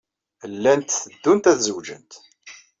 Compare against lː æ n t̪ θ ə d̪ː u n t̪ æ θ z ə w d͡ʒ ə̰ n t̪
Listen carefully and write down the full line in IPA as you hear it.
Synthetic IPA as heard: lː æ n t̪ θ ə d̪ː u n t̪ æ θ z ə w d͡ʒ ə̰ n t̪